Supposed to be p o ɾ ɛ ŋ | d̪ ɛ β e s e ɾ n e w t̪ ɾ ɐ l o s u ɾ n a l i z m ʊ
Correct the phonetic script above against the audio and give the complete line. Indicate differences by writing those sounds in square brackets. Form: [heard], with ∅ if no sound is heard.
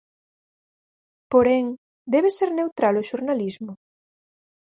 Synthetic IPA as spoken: p o ɾ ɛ ŋ | d̪ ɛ β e s e ɾ n e w t̪ ɾ [a] l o [ʃ] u ɾ n a l i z m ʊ

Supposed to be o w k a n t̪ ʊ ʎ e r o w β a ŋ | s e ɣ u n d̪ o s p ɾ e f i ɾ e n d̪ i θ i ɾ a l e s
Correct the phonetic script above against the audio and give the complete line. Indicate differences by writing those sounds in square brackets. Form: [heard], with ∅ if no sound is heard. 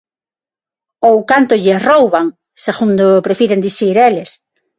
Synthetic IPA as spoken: o w k a n t̪ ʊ ʎ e r o w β a ŋ | s e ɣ u n d̪ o [∅] p ɾ e f i ɾ e n d̪ i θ i ɾ [e] l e s

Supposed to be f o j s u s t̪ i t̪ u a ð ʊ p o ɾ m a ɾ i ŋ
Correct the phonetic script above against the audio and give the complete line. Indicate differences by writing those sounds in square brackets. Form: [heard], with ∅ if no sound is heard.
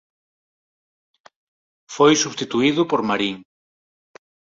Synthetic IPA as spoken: f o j s u s t̪ i t̪ u [i] ð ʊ p o ɾ m a ɾ i ŋ

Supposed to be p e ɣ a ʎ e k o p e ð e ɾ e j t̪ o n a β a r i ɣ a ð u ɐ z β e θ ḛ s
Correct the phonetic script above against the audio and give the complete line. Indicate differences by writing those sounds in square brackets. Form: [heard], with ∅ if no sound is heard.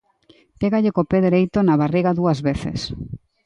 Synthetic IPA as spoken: p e ɣ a ʎ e k o p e ð e ɾ e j t̪ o n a β a r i ɣ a ð u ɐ z β e θ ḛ s

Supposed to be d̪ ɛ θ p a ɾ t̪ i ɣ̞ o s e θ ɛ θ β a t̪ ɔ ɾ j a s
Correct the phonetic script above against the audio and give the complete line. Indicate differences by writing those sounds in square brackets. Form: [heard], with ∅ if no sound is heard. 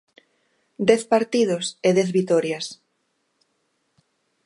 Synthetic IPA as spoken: d̪ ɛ θ p a ɾ t̪ i [ð̞] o s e [ð] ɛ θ β [i] t̪ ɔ ɾ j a s

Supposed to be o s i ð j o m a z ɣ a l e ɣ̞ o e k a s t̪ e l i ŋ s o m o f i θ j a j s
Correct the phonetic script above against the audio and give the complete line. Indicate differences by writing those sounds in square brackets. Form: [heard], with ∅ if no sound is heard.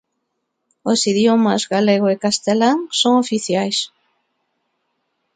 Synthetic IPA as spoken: o s i ð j o m a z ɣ a l e ɣ̞ o e k a s t̪ e l [a] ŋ s o [ŋ] o f i θ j a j s

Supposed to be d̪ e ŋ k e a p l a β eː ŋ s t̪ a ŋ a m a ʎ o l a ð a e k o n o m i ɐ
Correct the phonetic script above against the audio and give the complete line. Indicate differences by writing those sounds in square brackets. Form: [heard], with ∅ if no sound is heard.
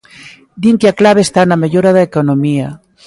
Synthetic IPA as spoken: d̪ [i] ŋ k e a [k] l a β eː [∅] s t̪ a [n] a m [e] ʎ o [ɾ] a ð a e k o n o m i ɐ

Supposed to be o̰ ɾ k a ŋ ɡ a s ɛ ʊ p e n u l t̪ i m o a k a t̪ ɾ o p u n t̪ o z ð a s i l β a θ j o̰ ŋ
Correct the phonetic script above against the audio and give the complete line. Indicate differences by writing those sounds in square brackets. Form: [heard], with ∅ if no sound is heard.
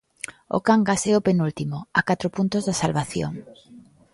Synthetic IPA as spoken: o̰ [∅] k a ŋ ɡ a s ɛ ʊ p e n u l t̪ i m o a k a t̪ ɾ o p u n t̪ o z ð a s [a] l β a θ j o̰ ŋ

